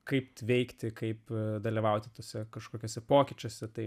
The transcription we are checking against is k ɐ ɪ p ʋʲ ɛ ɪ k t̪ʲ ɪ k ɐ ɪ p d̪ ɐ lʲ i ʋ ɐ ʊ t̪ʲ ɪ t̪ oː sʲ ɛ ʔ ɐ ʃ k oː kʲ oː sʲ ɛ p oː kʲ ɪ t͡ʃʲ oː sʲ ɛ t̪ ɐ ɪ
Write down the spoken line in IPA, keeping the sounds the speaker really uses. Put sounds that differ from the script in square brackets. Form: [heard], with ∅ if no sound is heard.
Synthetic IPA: k ɐ ɪ p ʋʲ ɛ ɪ k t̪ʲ ɪ k ɐ ɪ p d̪ ɐ lʲ i ʋ ɐ ʊ t̪ʲ ɪ t̪ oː sʲ ɛ [k] ɐ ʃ k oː kʲ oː sʲ ɛ p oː kʲ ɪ t͡ʃʲ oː sʲ ɛ t̪ ɐ ɪ